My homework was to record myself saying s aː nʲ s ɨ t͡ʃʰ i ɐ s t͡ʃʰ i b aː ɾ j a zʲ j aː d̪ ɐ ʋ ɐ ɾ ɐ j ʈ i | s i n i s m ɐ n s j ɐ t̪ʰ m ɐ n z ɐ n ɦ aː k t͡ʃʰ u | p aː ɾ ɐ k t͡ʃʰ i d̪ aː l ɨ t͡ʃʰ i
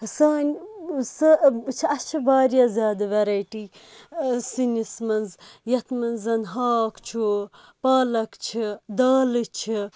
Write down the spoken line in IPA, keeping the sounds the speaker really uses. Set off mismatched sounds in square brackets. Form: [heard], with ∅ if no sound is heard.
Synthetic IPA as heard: s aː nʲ s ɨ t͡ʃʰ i ɐ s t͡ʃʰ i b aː ɾ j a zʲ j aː d̪ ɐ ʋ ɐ ɾ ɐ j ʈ i | s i n i s m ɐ n [z] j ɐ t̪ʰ m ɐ n z ɐ n ɦ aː k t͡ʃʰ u | p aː [l] ɐ k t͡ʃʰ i d̪ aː l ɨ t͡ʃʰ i